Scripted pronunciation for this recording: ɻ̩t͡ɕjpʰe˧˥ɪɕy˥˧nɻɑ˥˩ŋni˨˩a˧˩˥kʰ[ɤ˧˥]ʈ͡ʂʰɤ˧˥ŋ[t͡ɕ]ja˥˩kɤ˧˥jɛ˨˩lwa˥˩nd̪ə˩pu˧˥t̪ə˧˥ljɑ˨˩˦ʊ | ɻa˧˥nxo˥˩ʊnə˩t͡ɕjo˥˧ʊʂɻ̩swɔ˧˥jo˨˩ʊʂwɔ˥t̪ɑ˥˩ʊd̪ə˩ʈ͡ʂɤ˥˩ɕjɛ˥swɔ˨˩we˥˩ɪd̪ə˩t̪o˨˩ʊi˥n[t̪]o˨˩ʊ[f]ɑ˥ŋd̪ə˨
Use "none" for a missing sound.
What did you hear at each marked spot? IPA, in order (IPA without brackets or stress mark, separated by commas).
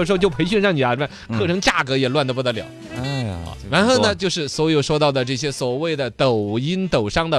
ɤ˥˩, t͡ɕ, t̪, ʂ